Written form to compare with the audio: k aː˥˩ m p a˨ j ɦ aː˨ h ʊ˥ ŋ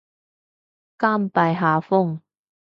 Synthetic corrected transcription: k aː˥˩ m p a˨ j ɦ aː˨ f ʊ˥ ŋ